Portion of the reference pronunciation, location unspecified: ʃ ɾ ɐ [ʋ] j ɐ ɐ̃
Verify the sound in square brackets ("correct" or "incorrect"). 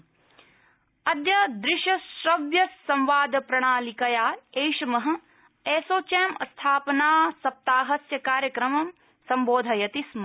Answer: correct